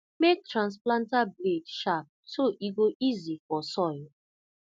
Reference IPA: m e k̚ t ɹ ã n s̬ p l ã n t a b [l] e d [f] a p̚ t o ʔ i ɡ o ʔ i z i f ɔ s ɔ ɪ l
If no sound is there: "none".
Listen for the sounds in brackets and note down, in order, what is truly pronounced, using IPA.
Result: l, ʃ

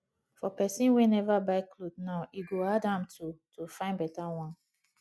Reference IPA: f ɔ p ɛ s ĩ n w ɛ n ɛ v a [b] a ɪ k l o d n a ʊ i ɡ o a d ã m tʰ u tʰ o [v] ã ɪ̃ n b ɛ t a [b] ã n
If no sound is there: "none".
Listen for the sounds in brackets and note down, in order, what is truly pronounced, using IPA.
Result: b, f, w

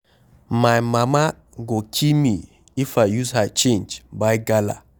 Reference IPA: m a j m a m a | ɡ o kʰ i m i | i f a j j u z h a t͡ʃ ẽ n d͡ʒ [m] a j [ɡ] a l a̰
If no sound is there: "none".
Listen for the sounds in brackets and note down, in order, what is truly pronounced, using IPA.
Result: b, ɡ

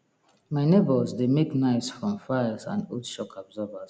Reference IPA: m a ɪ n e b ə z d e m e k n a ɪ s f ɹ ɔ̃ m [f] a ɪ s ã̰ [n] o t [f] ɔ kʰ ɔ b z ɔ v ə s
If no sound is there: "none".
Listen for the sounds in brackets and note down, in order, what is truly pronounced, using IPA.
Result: f, n, ʃ

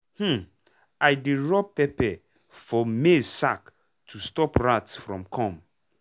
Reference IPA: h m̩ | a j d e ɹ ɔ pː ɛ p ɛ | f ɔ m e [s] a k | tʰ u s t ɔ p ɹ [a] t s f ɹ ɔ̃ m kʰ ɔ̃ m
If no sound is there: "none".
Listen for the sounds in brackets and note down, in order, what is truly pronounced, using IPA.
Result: s, a

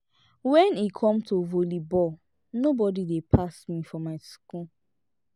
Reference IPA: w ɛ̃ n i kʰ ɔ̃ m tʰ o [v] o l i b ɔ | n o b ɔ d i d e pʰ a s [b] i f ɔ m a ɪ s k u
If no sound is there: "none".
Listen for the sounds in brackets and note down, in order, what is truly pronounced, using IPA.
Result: v, m

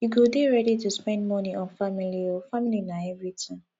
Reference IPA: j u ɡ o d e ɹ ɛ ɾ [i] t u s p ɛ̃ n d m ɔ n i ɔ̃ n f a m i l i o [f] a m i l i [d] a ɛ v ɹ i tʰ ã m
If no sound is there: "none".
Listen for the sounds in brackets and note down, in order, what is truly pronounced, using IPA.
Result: i, f, n

